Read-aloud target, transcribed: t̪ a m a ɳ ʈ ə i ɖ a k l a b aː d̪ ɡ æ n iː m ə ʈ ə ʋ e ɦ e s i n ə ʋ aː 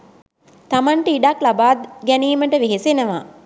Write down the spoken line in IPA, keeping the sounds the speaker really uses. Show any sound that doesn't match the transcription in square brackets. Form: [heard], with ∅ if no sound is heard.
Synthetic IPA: t̪ a m a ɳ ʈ ə i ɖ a k l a b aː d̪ ɡ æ n iː m ə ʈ ə ʋ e ɦ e s [e] n ə ʋ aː